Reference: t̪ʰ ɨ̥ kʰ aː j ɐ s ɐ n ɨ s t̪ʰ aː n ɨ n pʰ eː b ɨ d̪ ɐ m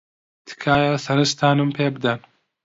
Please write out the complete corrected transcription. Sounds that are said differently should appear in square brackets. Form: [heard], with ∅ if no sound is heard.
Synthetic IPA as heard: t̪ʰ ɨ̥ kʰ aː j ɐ s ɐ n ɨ s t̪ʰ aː n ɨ [m] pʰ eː b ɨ d̪ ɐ [n]